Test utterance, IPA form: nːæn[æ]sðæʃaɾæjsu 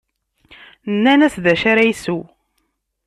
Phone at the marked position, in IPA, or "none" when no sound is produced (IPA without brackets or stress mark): æ